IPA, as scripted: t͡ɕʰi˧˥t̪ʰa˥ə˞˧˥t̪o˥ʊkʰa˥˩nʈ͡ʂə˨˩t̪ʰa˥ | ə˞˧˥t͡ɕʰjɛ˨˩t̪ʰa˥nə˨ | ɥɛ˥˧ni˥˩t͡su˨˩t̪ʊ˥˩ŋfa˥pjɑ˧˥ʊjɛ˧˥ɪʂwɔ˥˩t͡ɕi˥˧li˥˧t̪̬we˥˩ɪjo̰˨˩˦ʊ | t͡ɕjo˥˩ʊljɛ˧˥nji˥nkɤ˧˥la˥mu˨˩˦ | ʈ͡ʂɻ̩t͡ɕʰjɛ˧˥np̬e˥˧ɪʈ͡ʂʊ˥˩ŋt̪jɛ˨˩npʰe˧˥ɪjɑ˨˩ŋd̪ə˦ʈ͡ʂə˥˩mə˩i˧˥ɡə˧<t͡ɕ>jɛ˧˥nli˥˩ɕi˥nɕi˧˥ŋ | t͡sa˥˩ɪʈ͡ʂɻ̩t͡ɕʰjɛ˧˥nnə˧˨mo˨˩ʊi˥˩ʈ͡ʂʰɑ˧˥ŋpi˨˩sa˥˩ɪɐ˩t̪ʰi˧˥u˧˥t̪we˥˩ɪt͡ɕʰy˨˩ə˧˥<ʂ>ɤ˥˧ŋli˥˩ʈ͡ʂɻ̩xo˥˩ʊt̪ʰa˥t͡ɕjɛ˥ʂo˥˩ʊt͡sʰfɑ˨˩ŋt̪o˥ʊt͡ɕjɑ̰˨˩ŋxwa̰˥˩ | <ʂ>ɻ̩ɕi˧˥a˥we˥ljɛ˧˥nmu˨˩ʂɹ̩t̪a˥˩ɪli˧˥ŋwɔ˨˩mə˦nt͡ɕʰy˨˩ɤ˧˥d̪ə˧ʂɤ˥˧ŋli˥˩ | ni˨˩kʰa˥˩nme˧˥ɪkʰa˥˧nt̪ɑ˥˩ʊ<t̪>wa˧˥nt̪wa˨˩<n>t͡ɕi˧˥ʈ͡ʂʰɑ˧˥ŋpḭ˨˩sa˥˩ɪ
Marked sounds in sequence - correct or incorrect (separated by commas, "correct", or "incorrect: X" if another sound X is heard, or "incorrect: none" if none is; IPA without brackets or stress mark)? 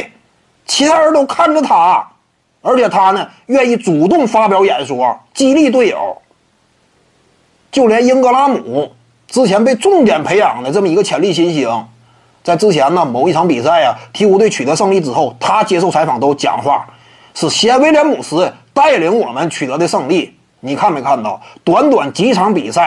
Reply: incorrect: t͡ɕʰ, correct, correct, correct, correct